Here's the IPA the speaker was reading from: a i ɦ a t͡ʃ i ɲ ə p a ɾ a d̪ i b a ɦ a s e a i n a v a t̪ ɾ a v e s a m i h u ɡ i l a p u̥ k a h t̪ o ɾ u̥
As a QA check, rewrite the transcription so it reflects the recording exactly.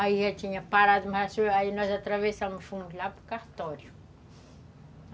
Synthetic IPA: a i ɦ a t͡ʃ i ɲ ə p a ɾ a d̪ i m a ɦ a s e a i n a z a t̪ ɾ a v e s a m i f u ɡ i l a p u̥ k a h t̪ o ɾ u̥